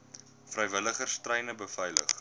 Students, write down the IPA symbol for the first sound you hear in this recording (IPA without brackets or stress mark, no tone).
f